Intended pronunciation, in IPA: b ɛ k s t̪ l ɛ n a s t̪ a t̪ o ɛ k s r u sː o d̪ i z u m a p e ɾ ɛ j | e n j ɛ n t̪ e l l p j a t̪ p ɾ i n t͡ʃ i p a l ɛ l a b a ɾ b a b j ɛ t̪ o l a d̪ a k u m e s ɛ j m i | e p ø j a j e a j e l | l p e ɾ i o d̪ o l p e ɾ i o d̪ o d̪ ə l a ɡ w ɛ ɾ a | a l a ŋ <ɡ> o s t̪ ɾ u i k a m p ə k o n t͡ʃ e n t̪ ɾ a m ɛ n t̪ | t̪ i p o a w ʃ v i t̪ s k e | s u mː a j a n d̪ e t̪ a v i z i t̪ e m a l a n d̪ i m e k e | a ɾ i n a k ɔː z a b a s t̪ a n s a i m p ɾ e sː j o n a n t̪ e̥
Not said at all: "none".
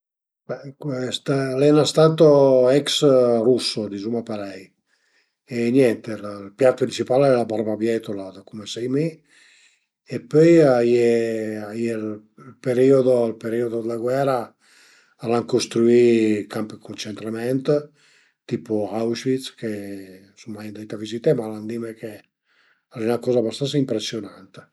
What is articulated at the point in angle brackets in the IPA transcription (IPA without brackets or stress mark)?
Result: k